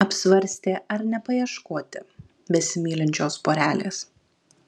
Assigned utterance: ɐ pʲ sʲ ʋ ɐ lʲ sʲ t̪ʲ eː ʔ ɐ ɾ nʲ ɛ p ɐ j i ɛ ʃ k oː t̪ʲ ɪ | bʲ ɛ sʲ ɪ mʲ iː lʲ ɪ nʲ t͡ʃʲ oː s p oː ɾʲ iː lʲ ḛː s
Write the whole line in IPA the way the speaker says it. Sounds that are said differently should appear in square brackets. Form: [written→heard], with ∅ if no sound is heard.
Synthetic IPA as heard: ɐ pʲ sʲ ʋ ɐ [lʲ→ɾʲ] sʲ t̪ʲ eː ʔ ɐ ɾ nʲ ɛ p ɐ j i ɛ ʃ k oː t̪ʲ ɪ | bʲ ɛ sʲ ɪ mʲ iː lʲ ɪ nʲ t͡ʃʲ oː s p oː ɾʲ [iː→æː] lʲ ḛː s